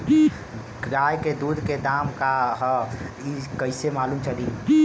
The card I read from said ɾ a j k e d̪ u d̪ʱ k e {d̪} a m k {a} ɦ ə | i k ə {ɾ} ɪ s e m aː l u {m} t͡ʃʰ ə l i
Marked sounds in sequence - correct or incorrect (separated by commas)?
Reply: correct, correct, incorrect, correct